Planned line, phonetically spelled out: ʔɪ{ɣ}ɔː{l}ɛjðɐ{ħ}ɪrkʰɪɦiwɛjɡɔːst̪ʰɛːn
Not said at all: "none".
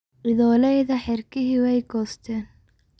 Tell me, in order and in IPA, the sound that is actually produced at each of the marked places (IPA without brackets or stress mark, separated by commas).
ð, l, ħ